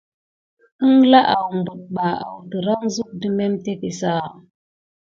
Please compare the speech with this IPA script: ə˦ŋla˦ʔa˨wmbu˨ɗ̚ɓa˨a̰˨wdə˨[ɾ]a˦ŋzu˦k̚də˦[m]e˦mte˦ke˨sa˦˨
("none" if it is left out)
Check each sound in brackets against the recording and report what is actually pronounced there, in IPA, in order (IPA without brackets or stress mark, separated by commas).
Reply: ɾ, m